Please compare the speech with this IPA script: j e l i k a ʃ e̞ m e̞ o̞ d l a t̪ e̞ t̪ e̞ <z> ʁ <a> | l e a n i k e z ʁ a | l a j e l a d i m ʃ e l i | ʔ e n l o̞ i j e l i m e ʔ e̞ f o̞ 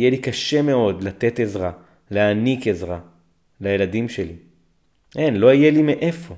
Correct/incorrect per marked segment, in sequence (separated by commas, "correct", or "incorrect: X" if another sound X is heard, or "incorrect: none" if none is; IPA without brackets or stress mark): correct, correct